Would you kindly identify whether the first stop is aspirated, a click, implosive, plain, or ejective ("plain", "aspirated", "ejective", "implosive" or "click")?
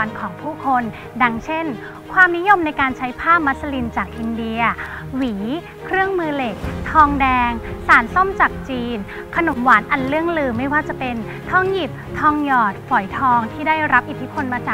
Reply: aspirated